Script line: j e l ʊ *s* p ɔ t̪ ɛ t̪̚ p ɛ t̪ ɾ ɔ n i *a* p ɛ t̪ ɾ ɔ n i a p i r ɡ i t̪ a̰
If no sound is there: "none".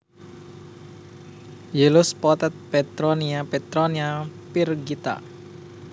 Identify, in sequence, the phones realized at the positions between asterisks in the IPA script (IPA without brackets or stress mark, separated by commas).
s, a